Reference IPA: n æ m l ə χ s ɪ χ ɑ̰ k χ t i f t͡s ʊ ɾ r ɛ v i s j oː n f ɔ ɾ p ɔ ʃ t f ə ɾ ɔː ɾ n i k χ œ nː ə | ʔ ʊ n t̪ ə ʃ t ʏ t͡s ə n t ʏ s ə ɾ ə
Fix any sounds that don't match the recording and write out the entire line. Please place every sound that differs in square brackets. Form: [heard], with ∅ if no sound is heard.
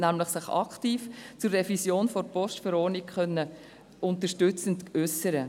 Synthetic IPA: n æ m l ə χ s ɪ χ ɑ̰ k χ t [iː] f t͡s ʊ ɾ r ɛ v i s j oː n f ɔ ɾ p ɔ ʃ t f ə ɾ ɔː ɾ n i k χ œ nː ə | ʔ ʊ n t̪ ə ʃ t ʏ t͡s ə n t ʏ s ə ɾ ə